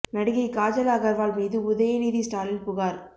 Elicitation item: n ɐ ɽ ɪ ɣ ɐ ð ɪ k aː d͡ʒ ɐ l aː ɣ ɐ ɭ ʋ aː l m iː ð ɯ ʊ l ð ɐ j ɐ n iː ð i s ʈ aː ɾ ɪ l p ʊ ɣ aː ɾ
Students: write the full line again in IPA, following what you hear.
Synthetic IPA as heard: n ɐ ɽ ɪ ɣ ɐ ɪ k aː d͡ʒ ɐ l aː ɣ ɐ ɾ ʋ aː l m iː ð ɯ ʊ ð ɐ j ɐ n iː ð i s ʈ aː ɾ ɪ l p ʊ ɣ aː ɾ